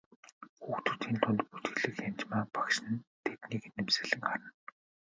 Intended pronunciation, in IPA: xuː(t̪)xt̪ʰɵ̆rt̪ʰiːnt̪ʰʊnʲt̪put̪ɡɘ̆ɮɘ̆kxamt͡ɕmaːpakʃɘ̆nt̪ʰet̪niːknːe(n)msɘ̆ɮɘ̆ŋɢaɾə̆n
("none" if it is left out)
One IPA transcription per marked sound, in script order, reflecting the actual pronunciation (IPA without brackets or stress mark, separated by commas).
none, none